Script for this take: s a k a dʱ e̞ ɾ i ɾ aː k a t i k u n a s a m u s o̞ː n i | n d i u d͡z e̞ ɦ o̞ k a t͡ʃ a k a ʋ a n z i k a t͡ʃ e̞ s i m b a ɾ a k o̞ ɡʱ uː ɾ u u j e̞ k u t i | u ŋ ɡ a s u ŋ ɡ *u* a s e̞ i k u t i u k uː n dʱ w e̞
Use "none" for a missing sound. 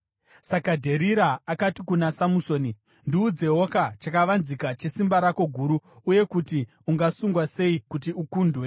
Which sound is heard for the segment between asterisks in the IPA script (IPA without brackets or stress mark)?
w